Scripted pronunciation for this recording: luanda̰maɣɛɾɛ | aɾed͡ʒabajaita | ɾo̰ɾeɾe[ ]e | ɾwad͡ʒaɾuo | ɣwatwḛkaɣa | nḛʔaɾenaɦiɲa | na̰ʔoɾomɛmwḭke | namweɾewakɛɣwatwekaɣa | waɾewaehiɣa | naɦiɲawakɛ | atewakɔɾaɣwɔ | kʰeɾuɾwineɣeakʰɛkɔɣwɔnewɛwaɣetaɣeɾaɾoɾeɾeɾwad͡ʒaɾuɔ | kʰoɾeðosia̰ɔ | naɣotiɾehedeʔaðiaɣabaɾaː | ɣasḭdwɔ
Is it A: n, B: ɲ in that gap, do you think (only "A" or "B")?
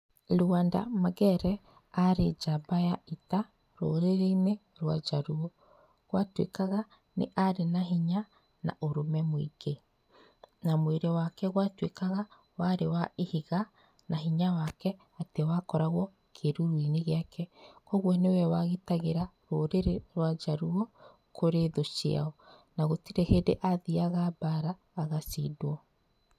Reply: A